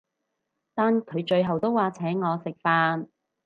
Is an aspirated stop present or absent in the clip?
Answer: present